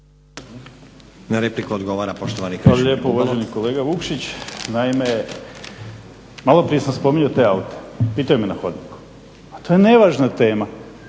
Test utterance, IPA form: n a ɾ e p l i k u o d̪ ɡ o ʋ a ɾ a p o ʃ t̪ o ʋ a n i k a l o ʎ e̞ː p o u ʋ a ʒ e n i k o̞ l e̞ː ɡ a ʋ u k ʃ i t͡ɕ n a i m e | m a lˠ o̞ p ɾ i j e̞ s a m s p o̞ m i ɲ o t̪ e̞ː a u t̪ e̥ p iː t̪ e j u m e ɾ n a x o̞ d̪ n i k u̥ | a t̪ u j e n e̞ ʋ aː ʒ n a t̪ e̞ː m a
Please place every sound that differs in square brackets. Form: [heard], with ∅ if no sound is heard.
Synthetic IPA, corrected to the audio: n a ɾ e p l i k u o d̪ ɡ o ʋ a ɾ a p o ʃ t̪ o ʋ a n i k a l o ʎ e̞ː p o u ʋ a ʒ e n i k o̞ l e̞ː ɡ a ʋ u k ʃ i t͡ɕ n a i m e | m a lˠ o̞ p ɾ i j e̞ s a m s p o̞ m i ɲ o t̪ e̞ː a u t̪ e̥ p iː t̪ [a] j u m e [∅] n a x o̞ d̪ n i k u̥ | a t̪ [o] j e n e̞ ʋ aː ʒ n a t̪ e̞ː m a